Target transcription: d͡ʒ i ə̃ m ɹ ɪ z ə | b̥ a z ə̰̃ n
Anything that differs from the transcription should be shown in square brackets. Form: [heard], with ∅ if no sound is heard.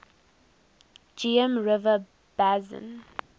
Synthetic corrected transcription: d͡ʒ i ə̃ m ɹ ɪ [v] ə | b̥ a z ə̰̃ n